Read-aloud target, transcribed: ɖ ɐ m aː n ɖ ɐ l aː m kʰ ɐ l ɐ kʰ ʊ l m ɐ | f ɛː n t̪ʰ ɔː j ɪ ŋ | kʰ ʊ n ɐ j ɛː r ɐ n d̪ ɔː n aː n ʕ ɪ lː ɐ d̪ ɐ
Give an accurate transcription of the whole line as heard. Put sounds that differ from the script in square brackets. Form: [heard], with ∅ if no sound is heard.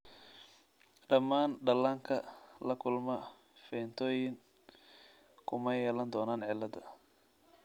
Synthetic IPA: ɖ ɐ m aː n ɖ ɐ l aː [ŋ] kʰ ɐ l ɐ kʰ ʊ l m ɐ | f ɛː n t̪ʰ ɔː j ɪ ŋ | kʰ ʊ [m] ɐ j ɛː [l] ɐ n d̪ ɔː n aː n ʕ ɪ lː ɐ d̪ ɐ